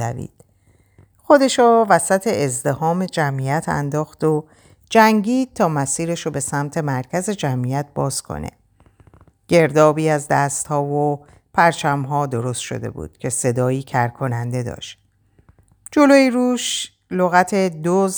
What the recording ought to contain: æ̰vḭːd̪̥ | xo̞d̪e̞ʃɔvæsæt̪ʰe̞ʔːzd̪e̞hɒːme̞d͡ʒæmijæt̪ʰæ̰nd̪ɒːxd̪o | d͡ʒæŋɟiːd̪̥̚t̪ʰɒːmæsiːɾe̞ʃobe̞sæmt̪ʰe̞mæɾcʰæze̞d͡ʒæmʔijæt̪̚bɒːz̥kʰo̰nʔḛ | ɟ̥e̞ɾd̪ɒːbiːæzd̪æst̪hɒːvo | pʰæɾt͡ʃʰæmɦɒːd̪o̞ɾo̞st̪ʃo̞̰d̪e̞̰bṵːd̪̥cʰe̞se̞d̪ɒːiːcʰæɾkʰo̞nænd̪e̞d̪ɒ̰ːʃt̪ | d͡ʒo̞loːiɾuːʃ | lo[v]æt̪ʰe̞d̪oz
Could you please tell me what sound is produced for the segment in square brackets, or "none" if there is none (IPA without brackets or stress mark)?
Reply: ɣ